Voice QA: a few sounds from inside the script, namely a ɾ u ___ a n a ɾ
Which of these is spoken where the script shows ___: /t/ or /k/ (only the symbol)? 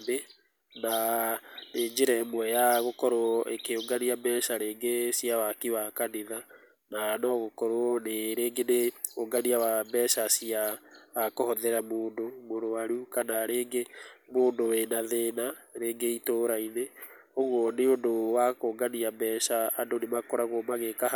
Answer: k